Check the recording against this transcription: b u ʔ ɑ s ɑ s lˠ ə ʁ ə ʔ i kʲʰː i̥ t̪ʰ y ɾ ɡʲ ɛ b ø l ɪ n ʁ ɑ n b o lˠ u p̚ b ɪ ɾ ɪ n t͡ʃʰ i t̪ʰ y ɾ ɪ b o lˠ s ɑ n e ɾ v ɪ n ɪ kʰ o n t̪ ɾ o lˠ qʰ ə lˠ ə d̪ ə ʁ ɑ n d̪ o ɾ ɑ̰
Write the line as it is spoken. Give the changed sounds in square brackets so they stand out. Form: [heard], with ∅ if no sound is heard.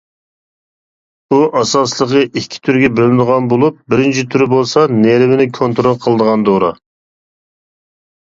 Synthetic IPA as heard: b u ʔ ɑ s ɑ s lˠ ə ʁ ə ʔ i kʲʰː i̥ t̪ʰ y ɾ ɡʲ ɛ b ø l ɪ n ʁ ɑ n b o lˠ u p̚ b ɪ ɾ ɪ n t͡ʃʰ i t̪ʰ y ɾ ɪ b o lˠ s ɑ n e ɾ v ɪ n ɪ kʰ o n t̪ ɾ o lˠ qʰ ə lˠ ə d̪ ə ʁ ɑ n d̪ o ɾ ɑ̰